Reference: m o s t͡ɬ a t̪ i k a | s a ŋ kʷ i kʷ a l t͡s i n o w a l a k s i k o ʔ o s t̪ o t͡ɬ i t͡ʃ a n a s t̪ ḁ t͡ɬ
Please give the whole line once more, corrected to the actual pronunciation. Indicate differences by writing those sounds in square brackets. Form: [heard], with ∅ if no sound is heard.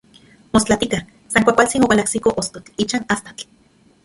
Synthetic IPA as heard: m o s t͡ɬ a t̪ i k a | s a ŋ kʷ [a] kʷ a l t͡s i n o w a l a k s i k o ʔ o s t̪ o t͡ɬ i t͡ʃ a n a s t̪ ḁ t͡ɬ

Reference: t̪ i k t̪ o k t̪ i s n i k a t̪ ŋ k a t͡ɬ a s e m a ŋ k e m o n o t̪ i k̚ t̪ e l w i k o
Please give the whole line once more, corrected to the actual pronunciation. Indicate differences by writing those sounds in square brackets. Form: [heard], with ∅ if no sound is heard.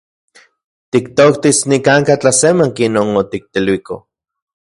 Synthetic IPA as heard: t̪ i k t̪ o k t̪ i s n i k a [∅] ŋ k a t͡ɬ a s e m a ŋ k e [n] o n o t̪ i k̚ t̪ e l w i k o

